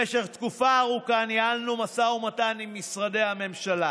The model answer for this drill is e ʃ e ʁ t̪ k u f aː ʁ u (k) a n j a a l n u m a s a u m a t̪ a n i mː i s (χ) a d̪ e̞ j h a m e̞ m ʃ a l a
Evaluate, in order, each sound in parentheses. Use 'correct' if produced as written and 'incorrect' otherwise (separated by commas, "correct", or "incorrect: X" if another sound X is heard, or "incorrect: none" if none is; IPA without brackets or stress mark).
correct, incorrect: ʁ